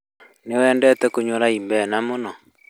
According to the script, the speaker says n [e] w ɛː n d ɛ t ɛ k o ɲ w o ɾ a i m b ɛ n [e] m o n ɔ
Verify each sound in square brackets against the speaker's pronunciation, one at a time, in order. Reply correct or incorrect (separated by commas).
correct, incorrect